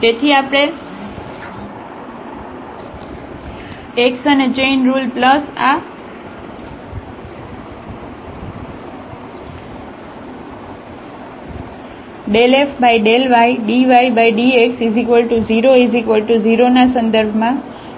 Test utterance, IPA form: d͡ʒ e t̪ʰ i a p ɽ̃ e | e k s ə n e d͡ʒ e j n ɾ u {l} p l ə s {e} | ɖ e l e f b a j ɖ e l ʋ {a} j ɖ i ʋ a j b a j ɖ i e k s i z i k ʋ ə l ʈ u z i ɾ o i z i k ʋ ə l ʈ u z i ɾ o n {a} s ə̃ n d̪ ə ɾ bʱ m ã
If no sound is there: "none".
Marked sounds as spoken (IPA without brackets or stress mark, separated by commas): l, a, a, a